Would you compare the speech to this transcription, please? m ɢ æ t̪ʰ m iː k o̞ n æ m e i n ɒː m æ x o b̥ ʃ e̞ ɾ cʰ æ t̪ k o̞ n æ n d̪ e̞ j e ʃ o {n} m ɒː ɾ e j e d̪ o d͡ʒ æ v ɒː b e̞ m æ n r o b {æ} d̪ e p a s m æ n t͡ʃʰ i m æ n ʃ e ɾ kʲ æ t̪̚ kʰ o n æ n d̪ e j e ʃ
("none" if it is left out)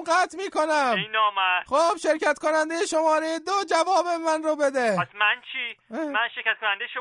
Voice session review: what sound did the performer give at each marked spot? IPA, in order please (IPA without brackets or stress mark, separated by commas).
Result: none, e